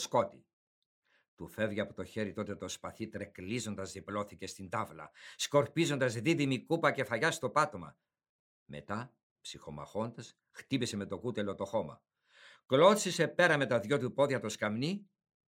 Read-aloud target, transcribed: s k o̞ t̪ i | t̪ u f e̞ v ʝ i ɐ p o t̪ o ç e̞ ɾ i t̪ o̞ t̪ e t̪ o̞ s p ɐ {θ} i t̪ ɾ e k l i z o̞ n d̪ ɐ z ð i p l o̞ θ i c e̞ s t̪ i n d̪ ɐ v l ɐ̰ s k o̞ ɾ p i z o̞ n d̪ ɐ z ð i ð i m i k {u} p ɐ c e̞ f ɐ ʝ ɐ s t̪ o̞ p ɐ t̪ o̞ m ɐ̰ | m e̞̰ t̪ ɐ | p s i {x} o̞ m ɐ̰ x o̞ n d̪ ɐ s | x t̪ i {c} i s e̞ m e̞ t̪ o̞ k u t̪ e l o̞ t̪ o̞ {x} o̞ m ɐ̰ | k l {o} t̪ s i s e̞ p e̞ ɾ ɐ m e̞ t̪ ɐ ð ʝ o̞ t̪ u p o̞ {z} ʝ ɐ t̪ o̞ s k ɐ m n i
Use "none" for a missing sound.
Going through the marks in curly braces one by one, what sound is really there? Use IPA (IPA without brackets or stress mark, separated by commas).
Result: θ, u, x, p, x, o, ð